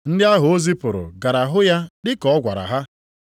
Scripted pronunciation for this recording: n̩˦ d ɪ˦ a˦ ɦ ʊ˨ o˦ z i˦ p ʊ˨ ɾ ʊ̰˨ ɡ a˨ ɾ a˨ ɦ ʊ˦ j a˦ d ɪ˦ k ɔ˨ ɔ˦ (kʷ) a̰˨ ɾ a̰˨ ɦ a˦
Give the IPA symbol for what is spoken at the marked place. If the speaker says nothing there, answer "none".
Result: ɡʷ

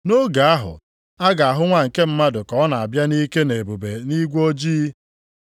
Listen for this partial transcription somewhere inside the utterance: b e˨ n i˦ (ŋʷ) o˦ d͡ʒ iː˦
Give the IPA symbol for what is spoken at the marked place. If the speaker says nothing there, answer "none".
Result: ɡʷ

